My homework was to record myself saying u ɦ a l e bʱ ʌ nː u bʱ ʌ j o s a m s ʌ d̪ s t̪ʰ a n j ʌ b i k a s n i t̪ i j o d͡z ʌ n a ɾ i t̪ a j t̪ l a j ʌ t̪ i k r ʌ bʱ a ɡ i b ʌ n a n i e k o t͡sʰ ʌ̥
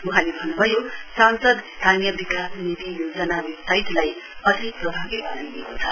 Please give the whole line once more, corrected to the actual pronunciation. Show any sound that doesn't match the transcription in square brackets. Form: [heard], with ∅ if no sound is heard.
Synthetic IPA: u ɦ a l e bʱ ʌ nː u bʱ ʌ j o s a [n] s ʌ d̪ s t̪ʰ a n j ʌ b i k a s n i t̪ i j o d͡z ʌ n a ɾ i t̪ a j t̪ l a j ʌ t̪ i [p] r ʌ bʱ a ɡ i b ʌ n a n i e k o t͡sʰ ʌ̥

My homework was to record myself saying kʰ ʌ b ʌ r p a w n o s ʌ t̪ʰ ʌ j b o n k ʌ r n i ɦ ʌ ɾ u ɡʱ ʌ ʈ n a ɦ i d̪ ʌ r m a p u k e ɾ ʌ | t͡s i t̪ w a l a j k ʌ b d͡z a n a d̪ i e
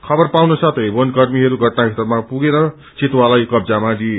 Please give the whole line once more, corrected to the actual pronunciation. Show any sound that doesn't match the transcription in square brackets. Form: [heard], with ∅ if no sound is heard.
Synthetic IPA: kʰ ʌ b ʌ r p a w n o s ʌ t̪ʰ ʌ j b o n k ʌ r [m] i ɦ ʌ ɾ u ɡʱ ʌ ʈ n a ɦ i [t̪] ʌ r m a p u [ɡ] e ɾ ʌ | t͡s i t̪ w a l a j k ʌ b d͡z a [m] a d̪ i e

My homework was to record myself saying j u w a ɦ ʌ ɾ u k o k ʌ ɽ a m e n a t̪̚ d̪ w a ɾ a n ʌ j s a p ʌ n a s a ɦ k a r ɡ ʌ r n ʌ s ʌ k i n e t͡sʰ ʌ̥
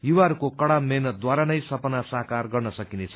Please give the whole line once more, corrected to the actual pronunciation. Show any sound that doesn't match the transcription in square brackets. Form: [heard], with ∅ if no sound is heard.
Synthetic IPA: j u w a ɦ ʌ ɾ u k o k ʌ ɽ a m e n [ʌ] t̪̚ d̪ w a ɾ a n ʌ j s [ʌ] p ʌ n a s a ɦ k a r ɡ ʌ r n ʌ s ʌ k i n e t͡sʰ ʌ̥

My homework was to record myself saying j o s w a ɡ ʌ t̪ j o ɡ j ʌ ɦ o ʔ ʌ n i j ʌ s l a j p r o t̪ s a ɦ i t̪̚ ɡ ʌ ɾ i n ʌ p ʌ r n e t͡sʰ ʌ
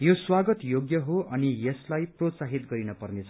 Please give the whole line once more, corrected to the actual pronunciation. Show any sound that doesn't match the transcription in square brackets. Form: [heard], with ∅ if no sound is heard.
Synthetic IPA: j o s w a ɡ ʌ t̪ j o ɡ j ʌ ɦ o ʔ ʌ n i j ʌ s l a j p r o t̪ s a ɦ i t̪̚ ɡ ʌ ɾ i n ʌ p ʌ r n e t͡sʰ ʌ

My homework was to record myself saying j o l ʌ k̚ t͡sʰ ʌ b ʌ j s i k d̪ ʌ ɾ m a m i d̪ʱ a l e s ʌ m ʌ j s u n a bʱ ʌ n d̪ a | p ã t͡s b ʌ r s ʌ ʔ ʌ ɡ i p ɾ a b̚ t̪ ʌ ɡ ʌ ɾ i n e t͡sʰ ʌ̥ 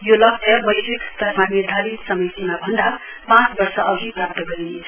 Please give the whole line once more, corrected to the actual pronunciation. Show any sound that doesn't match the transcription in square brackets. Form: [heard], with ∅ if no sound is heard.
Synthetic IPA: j o l ʌ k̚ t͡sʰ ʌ b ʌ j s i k [t̪] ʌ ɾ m a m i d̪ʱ a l [i] s ʌ m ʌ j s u n a bʱ ʌ n d̪ a | p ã t͡s b ʌ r s ʌ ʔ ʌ ɡ i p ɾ a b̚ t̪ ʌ ɡ ʌ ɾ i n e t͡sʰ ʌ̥

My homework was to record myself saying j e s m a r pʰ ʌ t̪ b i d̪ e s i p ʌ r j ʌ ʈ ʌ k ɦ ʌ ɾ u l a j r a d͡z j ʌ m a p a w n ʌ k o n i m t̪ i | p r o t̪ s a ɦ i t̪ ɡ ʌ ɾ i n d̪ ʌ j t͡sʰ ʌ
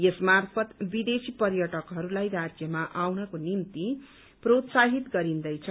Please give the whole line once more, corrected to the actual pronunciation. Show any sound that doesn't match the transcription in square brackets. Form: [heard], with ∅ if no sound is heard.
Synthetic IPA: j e s m a r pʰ ʌ t̪ b i d̪ e s i p ʌ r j ʌ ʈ ʌ k ɦ ʌ ɾ u l a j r a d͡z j ʌ m a [ʔ] a w n ʌ k o n i m t̪ i | p r o t̪ s a ɦ i t̪ ɡ ʌ ɾ i n d̪ ʌ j t͡sʰ ʌ

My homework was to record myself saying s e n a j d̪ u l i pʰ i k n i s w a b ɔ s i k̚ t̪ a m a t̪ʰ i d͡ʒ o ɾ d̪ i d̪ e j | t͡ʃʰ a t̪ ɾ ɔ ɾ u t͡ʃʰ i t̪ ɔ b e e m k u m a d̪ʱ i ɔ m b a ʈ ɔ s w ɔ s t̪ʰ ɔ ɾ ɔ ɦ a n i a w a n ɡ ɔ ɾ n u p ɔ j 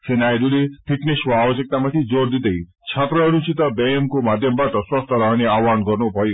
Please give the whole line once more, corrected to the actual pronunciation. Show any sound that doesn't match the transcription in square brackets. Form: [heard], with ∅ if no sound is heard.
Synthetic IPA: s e n a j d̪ u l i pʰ i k n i s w a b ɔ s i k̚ t̪ a m a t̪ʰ i d͡ʒ o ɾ d̪ i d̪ e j | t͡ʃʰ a t̪ ɾ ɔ ɾ u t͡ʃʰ i t̪ ɔ b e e m k u m a d̪ʱ [j] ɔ m b a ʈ ɔ s w ɔ s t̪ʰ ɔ ɾ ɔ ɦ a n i a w a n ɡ ɔ ɾ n u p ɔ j

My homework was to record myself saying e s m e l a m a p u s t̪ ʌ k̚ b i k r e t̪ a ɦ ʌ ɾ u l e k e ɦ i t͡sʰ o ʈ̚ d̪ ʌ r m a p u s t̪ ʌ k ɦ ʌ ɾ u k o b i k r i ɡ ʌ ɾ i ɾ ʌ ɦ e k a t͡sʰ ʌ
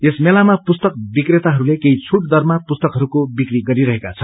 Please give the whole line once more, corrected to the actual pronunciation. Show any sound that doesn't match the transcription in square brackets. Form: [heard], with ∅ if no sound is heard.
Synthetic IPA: e s m e l a m a p u s t̪ ʌ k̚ b i k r e t̪ a ɦ ʌ ɾ u l e k e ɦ i t͡sʰ [u] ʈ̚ d̪ ʌ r m a p u s t̪ ʌ k ɦ ʌ ɾ u k o b i k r i ɡ ʌ ɾ i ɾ ʌ ɦ e k a t͡sʰ ʌ

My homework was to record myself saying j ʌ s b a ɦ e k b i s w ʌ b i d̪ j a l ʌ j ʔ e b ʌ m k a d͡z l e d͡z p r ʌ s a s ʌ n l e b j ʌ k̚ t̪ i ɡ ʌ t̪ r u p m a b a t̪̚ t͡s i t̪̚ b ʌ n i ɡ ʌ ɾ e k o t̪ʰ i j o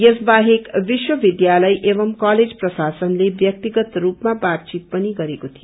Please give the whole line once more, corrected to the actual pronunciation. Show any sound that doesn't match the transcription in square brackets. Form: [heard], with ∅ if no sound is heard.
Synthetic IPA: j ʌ s b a ɦ e k b i s w ʌ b i d̪ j a l ʌ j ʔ e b ʌ m k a [∅] l e d͡z p r ʌ s a s ʌ n l e b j ʌ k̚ t̪ i ɡ ʌ t̪ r u p m a b a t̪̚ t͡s i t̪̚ [p] ʌ n i ɡ ʌ ɾ e k o t̪ʰ i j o

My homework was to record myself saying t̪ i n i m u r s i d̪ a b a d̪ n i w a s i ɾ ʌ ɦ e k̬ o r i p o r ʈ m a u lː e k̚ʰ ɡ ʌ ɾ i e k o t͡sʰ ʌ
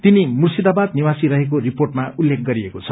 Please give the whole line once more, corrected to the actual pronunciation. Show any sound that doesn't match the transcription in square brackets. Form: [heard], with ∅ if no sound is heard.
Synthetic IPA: t̪ i n i m u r s i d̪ a b a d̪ n i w a s i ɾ ʌ ɦ e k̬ o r i p o r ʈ m a u lː e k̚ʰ ɡ ʌ ɾ i e k o t͡sʰ ʌ

